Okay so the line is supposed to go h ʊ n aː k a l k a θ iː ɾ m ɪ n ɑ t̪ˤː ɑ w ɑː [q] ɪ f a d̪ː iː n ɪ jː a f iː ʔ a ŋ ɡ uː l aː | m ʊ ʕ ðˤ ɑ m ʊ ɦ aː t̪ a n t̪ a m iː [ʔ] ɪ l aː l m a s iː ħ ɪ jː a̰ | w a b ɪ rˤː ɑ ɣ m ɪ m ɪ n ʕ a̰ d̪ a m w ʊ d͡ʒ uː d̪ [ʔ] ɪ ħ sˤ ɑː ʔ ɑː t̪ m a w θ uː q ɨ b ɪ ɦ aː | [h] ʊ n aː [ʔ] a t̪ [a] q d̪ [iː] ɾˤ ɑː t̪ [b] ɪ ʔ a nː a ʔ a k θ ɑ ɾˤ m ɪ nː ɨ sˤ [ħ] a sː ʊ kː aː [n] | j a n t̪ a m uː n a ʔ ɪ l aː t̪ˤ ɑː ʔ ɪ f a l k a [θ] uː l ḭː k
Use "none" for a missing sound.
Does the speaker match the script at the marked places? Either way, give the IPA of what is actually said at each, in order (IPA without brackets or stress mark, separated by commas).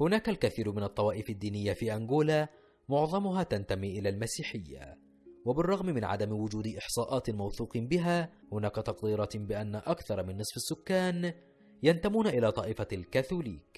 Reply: ʔ, ʔ, ʔ, h, k, ɑ, iː, b, f, n, θ